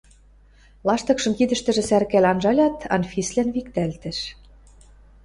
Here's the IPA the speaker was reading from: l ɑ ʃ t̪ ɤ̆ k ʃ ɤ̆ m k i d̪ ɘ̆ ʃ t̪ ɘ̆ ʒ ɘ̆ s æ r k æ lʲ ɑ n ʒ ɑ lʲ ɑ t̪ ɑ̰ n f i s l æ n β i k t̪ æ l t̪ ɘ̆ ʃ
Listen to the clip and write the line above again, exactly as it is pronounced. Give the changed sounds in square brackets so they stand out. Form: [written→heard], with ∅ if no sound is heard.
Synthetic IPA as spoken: l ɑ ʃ t̪ ɤ̆ k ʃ ɤ̆ m k i d̪ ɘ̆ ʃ t̪ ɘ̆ ʒ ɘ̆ s æ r k æ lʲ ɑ n ʒ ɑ lʲ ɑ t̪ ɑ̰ n f i s l æ n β i k t̪ æ l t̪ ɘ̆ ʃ